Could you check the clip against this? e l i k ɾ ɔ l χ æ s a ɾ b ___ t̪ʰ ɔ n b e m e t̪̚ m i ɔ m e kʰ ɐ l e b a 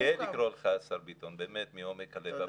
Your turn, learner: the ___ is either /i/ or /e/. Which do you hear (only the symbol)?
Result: i